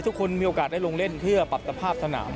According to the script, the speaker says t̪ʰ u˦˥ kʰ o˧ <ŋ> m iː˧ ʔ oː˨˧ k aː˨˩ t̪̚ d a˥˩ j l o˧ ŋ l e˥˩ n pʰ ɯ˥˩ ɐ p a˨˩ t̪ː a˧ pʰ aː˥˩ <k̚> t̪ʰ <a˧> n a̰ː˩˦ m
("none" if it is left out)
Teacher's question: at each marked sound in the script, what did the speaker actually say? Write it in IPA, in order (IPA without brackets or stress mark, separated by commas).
n, p̚, a˧